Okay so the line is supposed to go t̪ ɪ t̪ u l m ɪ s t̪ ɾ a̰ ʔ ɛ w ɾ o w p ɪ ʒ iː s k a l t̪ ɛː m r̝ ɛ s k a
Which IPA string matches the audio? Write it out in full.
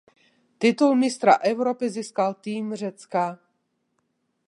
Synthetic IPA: t̪ ɪ t̪ u l m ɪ s t̪ ɾ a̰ ʔ ɛ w ɾ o p ɪ z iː s k a l t̪ iː m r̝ ɛ t͡s k a